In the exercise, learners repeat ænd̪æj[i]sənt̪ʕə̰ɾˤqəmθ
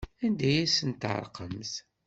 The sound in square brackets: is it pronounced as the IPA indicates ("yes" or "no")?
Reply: no